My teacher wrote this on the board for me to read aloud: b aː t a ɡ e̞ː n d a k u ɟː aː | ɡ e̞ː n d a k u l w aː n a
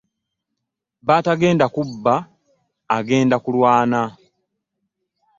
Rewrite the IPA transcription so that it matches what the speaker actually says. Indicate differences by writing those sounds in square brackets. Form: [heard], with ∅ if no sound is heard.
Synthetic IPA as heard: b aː t a ɡ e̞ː n d a k u [bː] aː | ɡ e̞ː n d a k u l w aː n a

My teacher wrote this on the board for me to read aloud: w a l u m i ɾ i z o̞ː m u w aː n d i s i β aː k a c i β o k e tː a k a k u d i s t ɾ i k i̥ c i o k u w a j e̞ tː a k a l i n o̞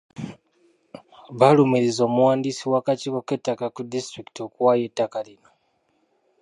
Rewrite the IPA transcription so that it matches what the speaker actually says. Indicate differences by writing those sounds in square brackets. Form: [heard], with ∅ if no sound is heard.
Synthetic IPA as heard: [β] a l u m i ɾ i z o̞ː m u w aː n d i s i [w] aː k a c i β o k e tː a k a k u d i s t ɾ i k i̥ [t] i o k u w a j e̞ tː a k a l i n o̞

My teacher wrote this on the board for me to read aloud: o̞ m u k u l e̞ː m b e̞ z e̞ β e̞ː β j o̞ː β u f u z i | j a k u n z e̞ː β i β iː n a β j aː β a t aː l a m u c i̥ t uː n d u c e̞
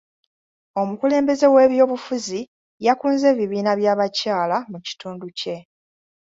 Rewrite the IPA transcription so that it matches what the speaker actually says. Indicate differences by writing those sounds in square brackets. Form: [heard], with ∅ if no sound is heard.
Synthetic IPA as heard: o̞ m u k u l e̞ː m b e̞ z e̞ [w] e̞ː β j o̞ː β u f u z i | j a k [uː] n z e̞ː β i β iː n a β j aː β a [c] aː l a m u c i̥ t uː n d u c e̞

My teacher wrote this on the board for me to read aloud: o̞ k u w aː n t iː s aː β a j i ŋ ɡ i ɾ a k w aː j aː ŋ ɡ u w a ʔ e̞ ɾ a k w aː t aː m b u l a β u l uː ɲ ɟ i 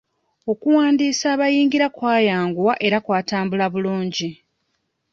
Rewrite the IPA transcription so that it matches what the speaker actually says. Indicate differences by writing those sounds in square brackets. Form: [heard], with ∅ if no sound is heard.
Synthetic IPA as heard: o̞ k u w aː n [d] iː s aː β a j [iː] ŋ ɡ i ɾ a k w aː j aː ŋ ɡ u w a ʔ e̞ ɾ a k w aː t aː m b u l a β u l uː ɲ ɟ i

